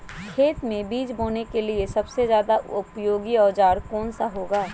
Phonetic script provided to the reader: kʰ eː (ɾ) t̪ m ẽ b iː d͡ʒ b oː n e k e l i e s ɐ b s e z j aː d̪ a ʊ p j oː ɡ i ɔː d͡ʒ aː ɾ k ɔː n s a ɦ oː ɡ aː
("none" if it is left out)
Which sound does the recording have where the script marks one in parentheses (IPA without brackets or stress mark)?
none